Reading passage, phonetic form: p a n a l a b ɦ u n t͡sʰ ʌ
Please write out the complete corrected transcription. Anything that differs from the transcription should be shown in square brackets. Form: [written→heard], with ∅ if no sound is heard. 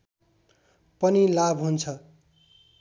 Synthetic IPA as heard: p [a→ʌ] n [a→i] l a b ɦ u n t͡sʰ ʌ